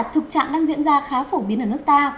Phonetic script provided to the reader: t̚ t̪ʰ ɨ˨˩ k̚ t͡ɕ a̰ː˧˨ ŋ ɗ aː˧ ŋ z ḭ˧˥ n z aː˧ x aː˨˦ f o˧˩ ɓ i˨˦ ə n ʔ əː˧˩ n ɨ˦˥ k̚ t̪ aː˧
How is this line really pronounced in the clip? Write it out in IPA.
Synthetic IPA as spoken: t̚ t̪ʰ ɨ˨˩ k̚ t͡ɕ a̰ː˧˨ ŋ ɗ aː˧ ŋ z ḭ˧˥ n z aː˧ x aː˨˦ f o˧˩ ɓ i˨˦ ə n ʔ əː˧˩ n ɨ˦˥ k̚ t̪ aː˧

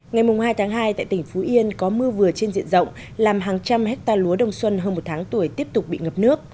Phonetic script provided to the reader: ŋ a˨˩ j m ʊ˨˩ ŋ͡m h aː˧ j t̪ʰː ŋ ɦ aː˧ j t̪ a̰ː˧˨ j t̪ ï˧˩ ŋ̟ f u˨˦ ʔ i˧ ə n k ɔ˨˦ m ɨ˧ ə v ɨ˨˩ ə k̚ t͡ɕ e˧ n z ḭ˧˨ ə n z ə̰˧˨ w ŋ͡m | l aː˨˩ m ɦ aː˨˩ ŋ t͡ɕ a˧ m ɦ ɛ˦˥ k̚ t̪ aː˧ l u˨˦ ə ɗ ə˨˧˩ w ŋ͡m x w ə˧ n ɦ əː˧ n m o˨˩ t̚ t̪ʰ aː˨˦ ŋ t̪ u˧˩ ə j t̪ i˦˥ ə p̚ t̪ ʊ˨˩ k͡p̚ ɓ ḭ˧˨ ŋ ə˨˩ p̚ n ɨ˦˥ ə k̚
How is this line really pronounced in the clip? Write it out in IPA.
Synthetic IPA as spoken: ŋ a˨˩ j m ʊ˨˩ ŋ͡m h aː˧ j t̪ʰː ŋ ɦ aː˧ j t̪ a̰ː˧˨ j t̪ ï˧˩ ŋ̟ f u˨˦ ʔ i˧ ə n k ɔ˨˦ m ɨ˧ ə v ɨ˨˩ ə t͡ɕ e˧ n z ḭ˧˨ ə n z ə̰˧˨ w ŋ͡m | l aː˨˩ m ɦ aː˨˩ ŋ t͡ɕ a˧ m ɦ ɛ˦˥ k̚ t̪ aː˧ l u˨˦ ə ɗ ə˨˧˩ w ŋ͡m s w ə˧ n ɦ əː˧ n m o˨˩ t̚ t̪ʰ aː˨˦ ŋ t̪ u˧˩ ə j t̪ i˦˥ ə p̚ t̪ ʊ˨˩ k͡p̚ ɓ ḭ˧˨ ŋ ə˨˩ p̚ n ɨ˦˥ ə k̚

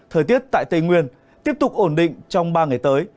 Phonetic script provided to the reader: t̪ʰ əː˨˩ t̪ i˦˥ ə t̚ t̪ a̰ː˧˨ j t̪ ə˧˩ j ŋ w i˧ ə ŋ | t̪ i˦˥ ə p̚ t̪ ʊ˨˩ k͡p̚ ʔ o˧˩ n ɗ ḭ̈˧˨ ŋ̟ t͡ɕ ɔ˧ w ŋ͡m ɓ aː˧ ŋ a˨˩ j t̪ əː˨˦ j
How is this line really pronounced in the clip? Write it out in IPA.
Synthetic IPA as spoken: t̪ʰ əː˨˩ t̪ i˦˥ ə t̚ t̪ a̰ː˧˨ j t̪ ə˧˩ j ŋ w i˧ ə n | t̪ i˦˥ ə p̚ t̪ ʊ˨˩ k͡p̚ ʔ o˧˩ n ɗ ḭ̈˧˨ ŋ̟ t͡ɕ ɔ˧ w ŋ͡m ɓ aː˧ ŋ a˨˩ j t̪ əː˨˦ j

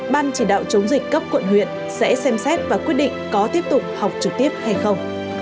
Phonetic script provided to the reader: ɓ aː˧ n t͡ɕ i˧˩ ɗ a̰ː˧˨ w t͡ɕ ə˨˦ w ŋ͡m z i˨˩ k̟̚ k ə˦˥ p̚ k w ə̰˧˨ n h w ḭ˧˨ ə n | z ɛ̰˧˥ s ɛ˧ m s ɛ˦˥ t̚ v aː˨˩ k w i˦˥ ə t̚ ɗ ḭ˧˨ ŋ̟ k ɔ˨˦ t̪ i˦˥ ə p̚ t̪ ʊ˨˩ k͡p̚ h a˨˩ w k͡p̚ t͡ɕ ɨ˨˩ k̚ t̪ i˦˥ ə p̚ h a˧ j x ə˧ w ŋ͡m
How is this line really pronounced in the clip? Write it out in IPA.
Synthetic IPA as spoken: ɓ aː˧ n t͡ɕ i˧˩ ɗ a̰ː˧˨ w t͡ɕ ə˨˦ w ŋ͡m z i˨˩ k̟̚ k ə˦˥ p̚ k w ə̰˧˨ n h w ḭ˧˨ ə n | s ɛ̰˧˥ s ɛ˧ m s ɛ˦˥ t̚ v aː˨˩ k w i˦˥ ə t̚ ɗ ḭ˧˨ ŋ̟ k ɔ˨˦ t̪ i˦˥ ə p̚ t̪ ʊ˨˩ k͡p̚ h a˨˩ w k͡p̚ t͡ɕ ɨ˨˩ k̚ t̪ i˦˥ ə p̚ h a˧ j x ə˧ w ŋ͡m

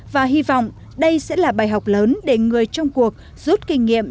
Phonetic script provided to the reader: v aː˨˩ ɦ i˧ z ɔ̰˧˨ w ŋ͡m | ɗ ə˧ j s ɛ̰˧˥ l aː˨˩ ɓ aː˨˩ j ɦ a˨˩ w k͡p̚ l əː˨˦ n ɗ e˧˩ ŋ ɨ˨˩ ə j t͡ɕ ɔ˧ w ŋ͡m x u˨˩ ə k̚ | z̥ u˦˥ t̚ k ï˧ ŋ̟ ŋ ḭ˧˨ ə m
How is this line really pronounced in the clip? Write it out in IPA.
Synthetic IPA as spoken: v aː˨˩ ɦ i˧ v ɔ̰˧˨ w ŋ͡m | ɗ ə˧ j s ɛ̰˧˥ l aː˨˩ ɓ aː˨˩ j ɦ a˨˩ w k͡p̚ l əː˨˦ n ɗ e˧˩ ŋ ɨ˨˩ ə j t͡ɕ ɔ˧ w ŋ͡m k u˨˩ ə k̚ | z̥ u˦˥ t̚ k ï˧ ŋ̟ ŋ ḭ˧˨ ə m

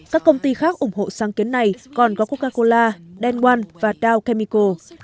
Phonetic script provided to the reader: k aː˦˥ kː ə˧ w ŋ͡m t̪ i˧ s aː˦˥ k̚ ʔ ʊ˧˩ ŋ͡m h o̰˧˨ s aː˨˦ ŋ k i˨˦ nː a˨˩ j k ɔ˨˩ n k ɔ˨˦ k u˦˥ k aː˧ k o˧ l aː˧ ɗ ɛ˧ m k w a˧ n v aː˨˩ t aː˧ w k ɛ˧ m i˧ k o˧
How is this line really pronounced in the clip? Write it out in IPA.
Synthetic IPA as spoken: k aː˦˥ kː ə˧ w ŋ͡m t̪ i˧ x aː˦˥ k̚ ʔ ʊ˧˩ ŋ͡m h o̰˧˨ s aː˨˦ ŋ k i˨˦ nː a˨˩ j k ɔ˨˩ n k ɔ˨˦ k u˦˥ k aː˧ k o˧ l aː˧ ɗ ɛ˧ n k w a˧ n v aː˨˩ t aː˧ w k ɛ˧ m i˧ k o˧

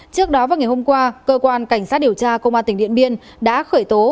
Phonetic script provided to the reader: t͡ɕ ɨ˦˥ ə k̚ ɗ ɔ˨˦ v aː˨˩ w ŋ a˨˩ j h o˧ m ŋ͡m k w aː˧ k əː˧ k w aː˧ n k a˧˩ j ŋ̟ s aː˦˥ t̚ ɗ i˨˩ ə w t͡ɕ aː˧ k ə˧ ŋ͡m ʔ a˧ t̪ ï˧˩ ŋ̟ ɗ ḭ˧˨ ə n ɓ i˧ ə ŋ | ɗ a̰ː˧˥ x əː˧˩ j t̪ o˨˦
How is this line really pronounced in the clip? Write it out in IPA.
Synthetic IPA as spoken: t͡ɕ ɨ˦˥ ə k̚ ɗ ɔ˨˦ v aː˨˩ w ŋ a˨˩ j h o˧ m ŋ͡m k w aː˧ k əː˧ k w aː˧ n k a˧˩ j ŋ̟ s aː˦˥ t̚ ɗ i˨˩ ə w t͡ɕ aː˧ k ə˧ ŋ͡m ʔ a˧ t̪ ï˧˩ ŋ̟ ɗ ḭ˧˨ ə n ɓ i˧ ə n | ɗ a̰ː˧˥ x əː˧˩ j t̪ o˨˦

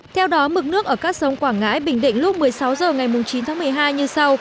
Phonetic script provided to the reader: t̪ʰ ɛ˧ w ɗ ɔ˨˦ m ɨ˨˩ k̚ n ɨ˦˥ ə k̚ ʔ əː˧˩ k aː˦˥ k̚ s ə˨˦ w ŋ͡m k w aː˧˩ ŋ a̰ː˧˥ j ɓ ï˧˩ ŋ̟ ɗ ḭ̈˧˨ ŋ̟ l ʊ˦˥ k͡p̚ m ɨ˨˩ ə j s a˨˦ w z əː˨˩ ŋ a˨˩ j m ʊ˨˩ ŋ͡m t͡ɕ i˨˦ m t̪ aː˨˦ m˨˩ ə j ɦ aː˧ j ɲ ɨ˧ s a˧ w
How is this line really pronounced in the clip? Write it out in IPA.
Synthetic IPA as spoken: t̪ʰ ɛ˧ w ɗ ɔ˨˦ m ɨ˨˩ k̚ n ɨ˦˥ ə k̚ ʔ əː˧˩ k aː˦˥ k̚ s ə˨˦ w ŋ͡m k w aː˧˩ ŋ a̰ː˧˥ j ɓ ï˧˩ ŋ̟ ɗ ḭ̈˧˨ ŋ̟ l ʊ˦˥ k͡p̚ m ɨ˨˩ ə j s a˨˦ w z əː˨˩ ŋ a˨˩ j m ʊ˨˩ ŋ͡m t͡ɕ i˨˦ n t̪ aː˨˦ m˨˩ ə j ɦ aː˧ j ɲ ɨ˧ s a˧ w

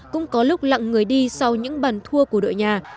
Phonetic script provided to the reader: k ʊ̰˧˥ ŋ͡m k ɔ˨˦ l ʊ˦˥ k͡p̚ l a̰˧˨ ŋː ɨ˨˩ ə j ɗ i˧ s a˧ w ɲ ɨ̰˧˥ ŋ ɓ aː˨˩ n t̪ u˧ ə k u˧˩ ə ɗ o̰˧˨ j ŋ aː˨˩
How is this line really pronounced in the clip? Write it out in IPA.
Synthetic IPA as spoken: k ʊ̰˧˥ ŋ͡m k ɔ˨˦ l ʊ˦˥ k͡p̚ l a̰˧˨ ŋː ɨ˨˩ ə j ɗ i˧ s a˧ w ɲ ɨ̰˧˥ ŋ ɓ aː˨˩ n t̪ʰ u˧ ə k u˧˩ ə ɗ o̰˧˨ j ɲ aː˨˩

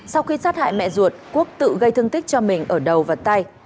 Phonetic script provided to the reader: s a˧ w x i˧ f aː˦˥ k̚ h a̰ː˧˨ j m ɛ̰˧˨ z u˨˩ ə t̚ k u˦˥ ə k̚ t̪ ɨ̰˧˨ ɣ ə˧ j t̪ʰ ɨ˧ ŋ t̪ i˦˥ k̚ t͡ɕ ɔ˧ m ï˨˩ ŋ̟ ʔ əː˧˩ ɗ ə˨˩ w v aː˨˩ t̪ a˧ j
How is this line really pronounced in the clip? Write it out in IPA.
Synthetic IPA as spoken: s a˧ w x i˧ s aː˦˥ t̚ h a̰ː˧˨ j m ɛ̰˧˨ z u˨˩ ə t̚ k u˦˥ ə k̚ t̪ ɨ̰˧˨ ɣ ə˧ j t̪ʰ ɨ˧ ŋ t̪ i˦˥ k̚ t͡ɕ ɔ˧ m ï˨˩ ŋ̟ ʔ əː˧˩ ɗ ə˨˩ w v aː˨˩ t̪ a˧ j

